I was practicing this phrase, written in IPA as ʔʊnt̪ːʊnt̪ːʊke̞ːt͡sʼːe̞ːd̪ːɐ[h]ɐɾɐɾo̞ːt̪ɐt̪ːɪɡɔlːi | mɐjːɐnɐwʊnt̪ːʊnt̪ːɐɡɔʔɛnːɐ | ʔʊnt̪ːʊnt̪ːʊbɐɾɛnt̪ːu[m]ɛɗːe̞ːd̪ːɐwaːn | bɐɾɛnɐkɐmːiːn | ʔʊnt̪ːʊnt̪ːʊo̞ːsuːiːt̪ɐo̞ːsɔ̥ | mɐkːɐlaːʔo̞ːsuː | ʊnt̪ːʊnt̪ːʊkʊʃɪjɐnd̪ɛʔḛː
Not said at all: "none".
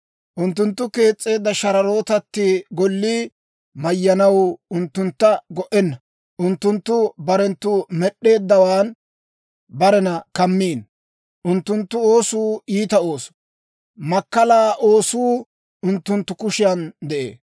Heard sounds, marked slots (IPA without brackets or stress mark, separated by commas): ʃ, m